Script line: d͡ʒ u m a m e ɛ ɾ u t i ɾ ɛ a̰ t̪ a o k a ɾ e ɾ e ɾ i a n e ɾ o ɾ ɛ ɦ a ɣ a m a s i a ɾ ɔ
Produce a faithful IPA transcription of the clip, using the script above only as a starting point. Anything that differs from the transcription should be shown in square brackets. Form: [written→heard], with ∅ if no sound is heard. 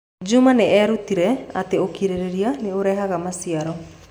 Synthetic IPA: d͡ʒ u m a [m→n] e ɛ ɾ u t i ɾ ɛ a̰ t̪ [a→e] o k [a→i] ɾ e ɾ e ɾ i a n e [ɾ→∅] o ɾ ɛ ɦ a ɣ a m a s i a ɾ ɔ